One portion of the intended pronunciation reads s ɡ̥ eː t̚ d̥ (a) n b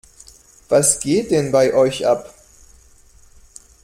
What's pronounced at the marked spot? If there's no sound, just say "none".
ɛ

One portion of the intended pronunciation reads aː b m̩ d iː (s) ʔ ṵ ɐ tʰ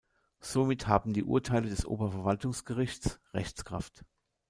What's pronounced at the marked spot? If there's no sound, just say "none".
none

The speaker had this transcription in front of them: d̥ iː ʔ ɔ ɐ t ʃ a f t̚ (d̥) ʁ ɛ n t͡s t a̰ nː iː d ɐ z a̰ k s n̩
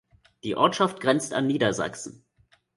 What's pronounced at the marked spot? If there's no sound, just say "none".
ɡ̥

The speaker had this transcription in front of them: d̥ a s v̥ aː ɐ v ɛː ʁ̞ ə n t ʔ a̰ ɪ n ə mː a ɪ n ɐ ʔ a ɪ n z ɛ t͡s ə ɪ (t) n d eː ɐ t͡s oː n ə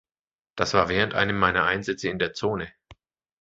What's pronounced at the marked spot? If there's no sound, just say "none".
none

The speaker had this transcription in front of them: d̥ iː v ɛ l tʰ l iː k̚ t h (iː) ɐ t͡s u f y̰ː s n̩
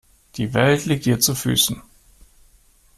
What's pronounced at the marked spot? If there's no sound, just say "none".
iː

